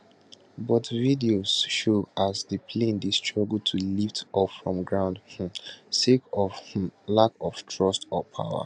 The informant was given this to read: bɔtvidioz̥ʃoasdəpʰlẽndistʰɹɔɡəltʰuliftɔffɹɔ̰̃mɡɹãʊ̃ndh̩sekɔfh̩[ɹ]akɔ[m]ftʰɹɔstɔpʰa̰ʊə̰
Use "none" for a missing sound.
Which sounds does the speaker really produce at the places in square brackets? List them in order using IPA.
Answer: l, none

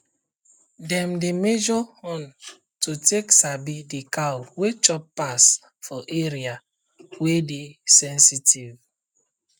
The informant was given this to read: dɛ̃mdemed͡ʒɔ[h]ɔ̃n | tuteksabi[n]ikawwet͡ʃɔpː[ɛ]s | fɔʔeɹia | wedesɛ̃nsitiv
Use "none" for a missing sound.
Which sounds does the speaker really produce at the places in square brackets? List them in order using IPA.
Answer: h, d, a

